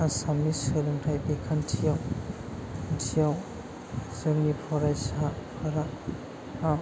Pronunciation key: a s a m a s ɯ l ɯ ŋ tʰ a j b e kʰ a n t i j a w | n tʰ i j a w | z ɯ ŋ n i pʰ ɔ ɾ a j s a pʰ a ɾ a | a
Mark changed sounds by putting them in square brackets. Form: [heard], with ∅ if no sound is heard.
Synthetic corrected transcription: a s a m [i] s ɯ l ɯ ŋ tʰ a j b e kʰ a n [tʰ] i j a w | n tʰ i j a w | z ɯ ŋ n i pʰ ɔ ɾ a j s a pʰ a ɾ a | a